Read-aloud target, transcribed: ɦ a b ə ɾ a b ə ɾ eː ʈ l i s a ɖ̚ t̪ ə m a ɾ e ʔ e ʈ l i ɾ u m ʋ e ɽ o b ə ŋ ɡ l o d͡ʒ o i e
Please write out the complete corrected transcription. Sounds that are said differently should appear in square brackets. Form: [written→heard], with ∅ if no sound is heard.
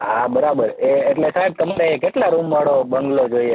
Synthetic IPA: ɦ a b ə ɾ a b ə ɾ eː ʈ l [i→e] s a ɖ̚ t̪ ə m a ɾ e [ʔ→k] e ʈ l [i→a] ɾ u m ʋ [e→a] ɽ o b ə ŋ ɡ l o d͡ʒ o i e